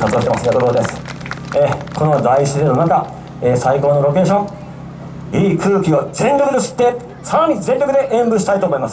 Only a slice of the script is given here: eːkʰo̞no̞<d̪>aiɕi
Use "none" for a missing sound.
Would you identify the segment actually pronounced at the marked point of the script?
d̪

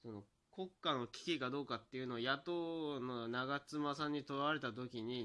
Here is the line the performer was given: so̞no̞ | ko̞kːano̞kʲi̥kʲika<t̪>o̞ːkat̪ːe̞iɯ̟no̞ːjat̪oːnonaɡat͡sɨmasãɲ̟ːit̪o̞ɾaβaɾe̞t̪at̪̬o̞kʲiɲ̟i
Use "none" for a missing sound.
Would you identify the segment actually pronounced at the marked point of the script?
d̪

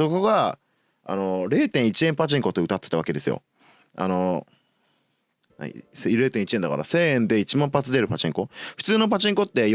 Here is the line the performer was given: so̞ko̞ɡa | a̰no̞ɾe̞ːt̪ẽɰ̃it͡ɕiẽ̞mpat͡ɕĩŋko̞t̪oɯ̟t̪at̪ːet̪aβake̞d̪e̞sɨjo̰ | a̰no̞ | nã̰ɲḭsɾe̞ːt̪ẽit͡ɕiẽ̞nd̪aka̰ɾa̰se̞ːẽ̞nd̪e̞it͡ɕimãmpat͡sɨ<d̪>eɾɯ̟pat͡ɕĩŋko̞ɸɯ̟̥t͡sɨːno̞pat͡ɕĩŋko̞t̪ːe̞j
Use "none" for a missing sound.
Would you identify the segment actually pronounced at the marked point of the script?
d̪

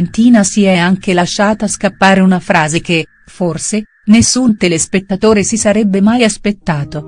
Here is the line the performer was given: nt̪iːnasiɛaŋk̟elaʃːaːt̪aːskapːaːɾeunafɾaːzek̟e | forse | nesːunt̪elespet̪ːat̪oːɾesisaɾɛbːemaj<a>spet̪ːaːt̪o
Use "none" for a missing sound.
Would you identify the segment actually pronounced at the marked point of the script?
a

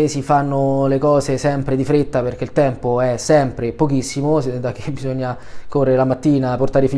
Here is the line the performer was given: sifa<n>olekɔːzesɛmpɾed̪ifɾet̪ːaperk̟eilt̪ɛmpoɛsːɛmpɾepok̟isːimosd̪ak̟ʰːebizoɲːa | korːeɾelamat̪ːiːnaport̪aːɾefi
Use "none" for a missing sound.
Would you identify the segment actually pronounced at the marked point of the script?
nː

